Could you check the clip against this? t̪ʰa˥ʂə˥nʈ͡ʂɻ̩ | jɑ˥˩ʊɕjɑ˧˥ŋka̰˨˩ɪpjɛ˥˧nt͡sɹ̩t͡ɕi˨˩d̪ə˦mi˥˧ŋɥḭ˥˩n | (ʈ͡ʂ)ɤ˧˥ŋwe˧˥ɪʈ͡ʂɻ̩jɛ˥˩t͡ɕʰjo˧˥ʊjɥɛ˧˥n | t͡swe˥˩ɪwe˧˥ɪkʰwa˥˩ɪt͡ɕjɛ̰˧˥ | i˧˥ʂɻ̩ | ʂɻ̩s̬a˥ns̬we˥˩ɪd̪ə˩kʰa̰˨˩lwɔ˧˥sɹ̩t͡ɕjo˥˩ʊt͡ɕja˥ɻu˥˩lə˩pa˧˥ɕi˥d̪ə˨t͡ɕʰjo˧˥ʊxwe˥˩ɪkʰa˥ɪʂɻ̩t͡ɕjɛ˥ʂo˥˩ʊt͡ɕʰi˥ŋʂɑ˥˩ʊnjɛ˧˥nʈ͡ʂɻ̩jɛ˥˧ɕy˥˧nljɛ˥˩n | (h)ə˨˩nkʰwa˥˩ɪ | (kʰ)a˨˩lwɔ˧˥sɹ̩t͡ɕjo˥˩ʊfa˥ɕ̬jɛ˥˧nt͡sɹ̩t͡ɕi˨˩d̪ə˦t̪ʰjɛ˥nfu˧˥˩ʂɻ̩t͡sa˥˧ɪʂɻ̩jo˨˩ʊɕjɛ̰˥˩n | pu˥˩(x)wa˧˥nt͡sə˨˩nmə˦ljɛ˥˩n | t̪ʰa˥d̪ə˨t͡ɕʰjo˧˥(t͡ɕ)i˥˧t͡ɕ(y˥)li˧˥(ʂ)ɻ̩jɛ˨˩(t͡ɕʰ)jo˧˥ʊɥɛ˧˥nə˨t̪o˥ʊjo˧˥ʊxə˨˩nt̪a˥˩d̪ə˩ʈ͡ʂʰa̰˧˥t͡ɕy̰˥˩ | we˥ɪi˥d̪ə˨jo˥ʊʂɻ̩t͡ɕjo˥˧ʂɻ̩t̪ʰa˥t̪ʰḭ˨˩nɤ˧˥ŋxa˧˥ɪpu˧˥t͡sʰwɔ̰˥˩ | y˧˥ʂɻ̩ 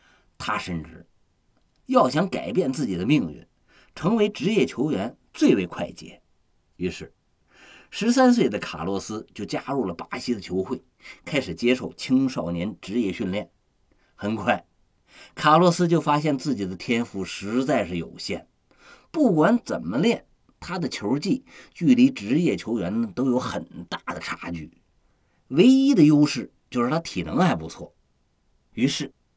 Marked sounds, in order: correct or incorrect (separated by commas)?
incorrect, incorrect, correct, incorrect, correct, incorrect, incorrect, correct